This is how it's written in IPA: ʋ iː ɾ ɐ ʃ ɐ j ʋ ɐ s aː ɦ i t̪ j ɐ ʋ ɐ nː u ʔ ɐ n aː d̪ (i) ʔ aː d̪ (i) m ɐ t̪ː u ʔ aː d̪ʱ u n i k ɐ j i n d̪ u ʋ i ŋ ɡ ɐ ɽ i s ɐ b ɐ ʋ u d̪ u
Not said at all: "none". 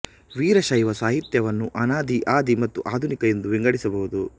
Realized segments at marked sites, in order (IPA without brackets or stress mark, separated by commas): i, i